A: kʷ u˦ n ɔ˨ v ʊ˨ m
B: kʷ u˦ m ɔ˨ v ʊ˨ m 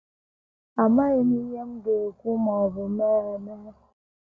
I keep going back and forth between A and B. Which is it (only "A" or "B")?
B